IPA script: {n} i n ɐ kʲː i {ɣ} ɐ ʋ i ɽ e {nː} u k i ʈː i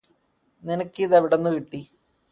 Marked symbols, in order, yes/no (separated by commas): yes, no, yes